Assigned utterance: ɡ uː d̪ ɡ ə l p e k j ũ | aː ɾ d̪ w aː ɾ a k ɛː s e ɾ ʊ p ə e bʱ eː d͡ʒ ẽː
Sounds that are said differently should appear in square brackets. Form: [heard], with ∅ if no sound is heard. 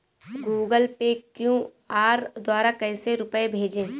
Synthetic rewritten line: ɡ uː [∅] ɡ ə l p e k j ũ | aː ɾ d̪ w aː ɾ a k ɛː s e ɾ ʊ p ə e bʱ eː d͡ʒ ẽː